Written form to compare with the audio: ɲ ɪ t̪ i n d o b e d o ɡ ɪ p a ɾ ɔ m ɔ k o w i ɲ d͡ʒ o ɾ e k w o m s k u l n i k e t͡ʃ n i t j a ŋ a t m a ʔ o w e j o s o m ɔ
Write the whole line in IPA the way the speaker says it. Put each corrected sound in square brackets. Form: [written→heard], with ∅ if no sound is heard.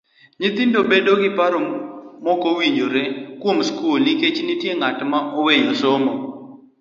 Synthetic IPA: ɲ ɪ t̪ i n d o b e d o ɡ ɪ p a ɾ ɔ m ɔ k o w i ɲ d͡ʒ o ɾ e k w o m s k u l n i k e t͡ʃ n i t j [a→e] ŋ a t m a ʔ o w e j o s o m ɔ